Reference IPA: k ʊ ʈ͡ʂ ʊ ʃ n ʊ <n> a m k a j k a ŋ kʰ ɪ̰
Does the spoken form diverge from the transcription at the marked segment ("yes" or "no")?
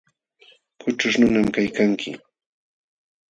no